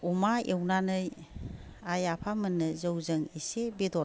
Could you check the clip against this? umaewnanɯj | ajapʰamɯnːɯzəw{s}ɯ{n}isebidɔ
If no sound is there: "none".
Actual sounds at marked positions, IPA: z, ŋ

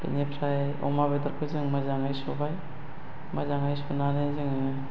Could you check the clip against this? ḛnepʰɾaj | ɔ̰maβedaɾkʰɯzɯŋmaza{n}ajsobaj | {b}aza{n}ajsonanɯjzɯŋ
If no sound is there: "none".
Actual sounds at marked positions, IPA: ŋ, m, ŋ

